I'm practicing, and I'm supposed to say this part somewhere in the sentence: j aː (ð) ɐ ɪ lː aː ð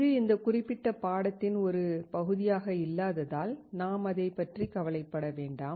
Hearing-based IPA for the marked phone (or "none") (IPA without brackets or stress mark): ɣ